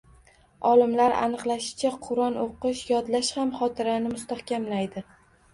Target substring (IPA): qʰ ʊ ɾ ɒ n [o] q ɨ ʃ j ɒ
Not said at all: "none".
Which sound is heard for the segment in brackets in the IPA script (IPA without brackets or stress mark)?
o